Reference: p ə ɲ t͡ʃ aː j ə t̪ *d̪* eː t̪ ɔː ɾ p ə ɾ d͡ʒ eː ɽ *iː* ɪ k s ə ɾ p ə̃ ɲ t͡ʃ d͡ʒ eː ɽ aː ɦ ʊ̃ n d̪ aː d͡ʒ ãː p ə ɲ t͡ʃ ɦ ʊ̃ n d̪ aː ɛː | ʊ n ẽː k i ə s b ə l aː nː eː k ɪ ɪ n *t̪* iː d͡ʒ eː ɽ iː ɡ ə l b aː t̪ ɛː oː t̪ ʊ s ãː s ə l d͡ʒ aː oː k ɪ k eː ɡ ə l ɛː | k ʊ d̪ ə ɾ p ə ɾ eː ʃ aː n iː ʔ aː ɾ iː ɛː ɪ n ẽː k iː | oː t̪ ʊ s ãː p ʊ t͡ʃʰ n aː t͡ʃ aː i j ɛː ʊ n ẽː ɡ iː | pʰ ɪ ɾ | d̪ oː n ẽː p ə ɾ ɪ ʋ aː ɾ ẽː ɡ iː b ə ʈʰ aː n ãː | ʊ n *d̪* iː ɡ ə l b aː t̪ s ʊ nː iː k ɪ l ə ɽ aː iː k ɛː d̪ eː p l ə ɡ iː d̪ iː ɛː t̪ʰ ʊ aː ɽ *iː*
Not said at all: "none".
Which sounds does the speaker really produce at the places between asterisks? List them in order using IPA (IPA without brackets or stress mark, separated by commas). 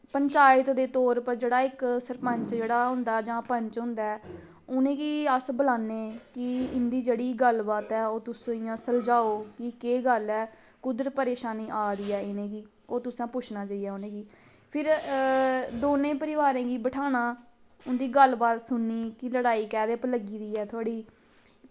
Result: d̪, aː, d̪, d̪, iː